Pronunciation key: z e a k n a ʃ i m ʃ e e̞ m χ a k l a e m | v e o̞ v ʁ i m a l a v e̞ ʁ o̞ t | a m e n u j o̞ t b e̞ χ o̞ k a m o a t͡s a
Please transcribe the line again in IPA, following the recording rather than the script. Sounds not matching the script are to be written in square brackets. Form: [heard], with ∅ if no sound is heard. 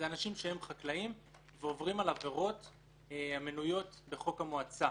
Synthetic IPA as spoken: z e a [∅] n a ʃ i m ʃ e e̞ m χ a k l a [i] m | v e o̞ v ʁ i m a l a v e̞ ʁ o̞ t | a m e n u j o̞ t b e̞ χ o̞ k a m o a t͡s a